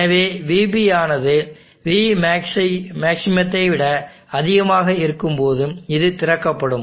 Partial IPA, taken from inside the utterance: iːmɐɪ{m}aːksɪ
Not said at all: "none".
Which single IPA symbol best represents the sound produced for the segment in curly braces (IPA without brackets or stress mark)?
m